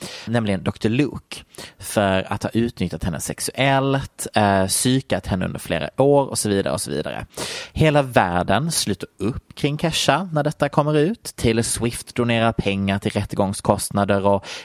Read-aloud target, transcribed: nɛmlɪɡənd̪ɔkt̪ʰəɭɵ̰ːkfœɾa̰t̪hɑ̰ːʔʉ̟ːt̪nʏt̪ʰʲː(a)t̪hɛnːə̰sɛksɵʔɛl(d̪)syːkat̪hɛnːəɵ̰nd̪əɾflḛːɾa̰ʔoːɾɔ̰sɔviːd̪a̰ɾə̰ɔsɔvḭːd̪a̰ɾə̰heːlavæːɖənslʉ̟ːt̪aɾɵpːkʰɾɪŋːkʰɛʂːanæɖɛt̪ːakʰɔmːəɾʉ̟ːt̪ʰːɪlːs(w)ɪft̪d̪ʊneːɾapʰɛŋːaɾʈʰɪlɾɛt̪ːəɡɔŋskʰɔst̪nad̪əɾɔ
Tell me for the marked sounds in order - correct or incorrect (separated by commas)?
correct, incorrect, correct